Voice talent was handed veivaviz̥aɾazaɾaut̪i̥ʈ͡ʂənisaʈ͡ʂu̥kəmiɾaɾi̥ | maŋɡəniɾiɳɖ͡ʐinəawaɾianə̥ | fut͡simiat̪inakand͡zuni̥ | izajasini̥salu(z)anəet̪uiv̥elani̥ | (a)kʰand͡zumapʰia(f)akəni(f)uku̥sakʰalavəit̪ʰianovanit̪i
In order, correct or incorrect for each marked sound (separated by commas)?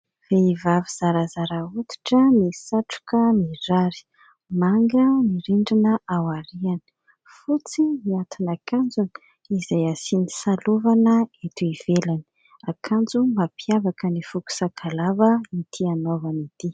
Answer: incorrect, correct, incorrect, correct